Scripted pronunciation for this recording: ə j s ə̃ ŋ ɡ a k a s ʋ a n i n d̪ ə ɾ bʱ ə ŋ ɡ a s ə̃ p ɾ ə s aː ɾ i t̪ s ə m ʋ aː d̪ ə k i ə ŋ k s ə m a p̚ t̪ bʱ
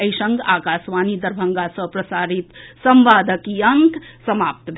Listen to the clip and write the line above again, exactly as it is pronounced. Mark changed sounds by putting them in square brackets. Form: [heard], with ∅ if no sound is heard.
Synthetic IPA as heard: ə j s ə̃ ŋ ɡ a k a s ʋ a n i [∅] d̪ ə ɾ bʱ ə ŋ ɡ a s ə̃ p ɾ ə s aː ɾ i t̪ s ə m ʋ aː d̪ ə k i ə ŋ k s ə m a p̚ t̪ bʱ